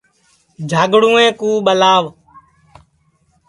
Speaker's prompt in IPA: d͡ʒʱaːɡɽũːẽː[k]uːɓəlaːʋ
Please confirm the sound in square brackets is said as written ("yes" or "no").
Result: yes